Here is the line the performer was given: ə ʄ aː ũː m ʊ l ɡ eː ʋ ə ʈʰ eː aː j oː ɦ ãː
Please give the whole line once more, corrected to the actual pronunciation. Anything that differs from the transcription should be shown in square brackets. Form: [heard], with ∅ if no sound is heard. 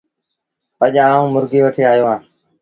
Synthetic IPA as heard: ə ʄ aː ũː m ʊ [ɾ] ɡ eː ʋ ə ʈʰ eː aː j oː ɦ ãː